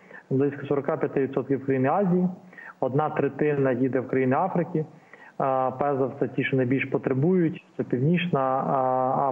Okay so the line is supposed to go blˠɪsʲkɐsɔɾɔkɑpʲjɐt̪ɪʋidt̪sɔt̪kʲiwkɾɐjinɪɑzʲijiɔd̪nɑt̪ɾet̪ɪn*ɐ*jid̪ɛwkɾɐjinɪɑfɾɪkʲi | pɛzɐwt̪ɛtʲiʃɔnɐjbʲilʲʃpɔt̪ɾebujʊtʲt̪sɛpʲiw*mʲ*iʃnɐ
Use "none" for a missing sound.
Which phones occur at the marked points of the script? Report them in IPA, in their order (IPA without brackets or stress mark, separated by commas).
ɐ, nʲ